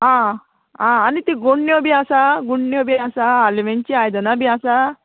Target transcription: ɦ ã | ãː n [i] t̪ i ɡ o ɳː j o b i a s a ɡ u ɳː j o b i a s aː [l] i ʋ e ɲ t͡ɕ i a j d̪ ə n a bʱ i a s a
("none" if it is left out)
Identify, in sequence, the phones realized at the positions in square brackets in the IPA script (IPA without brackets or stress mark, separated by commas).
i, l